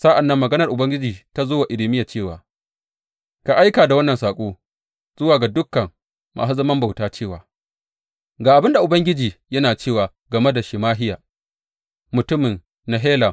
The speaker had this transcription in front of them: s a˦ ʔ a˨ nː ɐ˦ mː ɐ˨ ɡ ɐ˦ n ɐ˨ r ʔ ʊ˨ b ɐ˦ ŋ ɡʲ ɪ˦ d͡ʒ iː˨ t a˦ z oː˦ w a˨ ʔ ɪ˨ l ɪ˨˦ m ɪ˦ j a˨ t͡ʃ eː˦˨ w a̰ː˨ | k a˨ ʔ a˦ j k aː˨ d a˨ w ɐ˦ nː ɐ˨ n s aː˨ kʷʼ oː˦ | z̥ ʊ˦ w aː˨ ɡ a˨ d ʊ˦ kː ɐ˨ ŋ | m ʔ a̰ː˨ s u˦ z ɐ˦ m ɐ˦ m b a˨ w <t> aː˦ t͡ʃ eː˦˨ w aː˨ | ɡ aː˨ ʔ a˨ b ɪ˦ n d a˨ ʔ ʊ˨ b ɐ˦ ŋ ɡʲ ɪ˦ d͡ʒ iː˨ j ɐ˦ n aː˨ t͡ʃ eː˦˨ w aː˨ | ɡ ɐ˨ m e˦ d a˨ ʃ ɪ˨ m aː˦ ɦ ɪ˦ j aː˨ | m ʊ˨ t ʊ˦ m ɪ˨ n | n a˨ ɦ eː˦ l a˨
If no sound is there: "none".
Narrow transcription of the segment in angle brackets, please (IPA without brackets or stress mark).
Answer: t